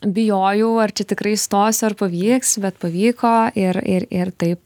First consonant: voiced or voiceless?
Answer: voiced